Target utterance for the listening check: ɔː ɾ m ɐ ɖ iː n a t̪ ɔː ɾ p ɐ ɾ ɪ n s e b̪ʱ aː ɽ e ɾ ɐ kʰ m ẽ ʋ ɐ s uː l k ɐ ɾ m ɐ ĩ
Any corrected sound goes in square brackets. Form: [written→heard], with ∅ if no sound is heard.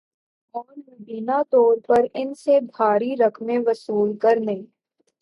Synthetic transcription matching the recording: ɔː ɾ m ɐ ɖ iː n a t̪ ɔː ɾ p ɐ ɾ ɪ n s e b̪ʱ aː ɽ [e→i] ɾ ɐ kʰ m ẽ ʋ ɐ s uː l k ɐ ɾ [m→n] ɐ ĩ